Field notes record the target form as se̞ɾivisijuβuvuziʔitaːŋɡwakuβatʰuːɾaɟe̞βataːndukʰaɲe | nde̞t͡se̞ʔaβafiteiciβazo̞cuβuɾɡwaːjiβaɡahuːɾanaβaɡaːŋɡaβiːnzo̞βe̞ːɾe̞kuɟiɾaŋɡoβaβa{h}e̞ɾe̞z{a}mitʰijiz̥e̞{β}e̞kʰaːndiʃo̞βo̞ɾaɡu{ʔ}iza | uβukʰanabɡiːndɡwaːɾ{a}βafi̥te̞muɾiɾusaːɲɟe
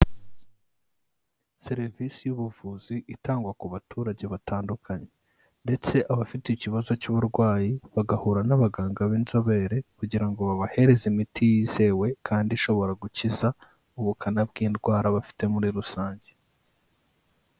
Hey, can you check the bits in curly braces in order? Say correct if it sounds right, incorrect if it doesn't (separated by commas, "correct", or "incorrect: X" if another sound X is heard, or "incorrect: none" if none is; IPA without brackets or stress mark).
correct, incorrect: i, incorrect: w, incorrect: c, correct